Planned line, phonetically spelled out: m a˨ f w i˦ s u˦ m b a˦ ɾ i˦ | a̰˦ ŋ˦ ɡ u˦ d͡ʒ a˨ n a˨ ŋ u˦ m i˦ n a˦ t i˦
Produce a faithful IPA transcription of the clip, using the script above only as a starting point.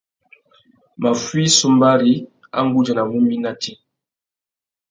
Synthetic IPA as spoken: m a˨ f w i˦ s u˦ m b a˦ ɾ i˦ | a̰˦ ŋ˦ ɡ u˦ d͡ʒ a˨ n a˨ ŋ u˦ m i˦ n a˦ t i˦